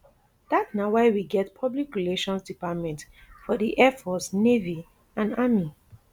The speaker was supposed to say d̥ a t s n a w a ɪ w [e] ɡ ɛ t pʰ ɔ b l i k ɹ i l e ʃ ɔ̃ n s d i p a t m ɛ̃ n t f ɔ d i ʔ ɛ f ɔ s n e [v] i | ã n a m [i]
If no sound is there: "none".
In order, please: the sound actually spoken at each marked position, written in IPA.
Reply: i, v, i

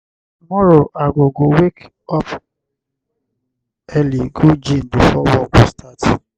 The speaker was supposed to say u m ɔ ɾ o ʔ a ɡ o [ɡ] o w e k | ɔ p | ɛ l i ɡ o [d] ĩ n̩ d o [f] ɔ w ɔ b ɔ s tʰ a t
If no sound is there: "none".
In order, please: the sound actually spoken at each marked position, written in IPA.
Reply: ɡ, d͡ʒ, f

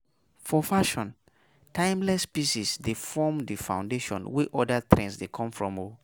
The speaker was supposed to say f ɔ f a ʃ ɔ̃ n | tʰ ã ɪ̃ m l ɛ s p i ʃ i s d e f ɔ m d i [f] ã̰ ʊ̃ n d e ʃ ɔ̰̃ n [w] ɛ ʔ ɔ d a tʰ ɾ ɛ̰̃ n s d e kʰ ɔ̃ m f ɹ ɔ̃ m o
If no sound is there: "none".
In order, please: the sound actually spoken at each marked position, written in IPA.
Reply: f, w

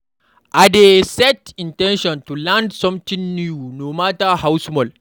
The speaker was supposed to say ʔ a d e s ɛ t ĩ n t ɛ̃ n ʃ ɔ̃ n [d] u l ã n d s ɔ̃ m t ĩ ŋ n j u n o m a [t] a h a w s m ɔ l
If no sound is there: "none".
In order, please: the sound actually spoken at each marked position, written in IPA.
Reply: t, t

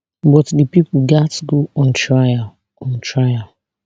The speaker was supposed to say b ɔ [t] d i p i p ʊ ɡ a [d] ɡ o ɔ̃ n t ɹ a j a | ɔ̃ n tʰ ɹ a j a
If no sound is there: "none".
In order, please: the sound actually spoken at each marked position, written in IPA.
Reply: t, t

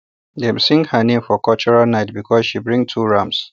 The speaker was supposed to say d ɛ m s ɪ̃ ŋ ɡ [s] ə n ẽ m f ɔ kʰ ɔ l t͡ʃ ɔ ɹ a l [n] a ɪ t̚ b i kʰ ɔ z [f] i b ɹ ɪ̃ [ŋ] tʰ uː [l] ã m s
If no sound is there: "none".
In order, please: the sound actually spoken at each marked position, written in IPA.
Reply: h, n, ʃ, ŋ, ɹ

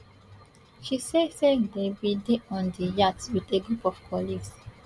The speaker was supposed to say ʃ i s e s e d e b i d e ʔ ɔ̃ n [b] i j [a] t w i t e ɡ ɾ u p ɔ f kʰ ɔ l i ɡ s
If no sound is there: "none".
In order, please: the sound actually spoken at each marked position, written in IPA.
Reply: d, a

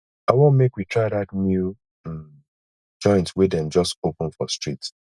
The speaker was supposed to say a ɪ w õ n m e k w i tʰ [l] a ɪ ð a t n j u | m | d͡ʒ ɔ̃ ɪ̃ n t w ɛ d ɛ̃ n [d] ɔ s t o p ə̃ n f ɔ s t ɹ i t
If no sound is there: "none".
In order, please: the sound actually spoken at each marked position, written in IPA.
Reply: ɹ, d͡ʒ

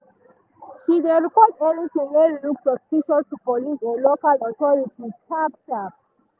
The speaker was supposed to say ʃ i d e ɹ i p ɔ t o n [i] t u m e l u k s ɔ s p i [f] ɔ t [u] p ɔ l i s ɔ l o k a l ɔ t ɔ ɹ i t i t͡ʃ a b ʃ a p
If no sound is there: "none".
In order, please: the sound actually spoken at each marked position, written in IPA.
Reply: i, ʃ, u

